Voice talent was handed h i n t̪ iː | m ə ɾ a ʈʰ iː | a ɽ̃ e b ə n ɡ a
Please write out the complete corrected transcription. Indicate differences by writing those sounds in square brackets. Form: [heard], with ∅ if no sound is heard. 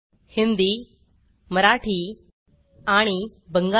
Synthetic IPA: h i n [d̪] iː | m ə ɾ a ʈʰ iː | a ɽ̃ [i] b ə [ŋ] ɡ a